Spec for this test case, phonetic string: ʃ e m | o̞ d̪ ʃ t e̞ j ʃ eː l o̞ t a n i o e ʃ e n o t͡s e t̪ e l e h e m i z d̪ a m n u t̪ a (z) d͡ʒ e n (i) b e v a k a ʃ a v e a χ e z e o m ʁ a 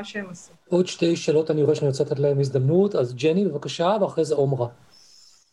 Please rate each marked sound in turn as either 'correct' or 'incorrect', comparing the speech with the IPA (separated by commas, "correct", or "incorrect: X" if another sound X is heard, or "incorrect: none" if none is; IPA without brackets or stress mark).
correct, correct